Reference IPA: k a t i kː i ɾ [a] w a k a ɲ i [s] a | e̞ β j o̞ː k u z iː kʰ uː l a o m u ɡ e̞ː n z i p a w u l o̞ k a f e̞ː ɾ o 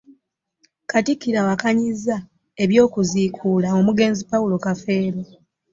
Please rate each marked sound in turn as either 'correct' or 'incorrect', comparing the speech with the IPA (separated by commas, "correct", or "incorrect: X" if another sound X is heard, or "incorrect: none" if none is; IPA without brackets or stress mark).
correct, incorrect: z